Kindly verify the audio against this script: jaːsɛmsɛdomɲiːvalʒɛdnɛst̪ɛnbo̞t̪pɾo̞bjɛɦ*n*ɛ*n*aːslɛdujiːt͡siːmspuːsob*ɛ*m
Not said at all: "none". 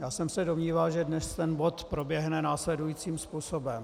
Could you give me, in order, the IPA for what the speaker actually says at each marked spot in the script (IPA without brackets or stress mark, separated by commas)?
n, n, ɛ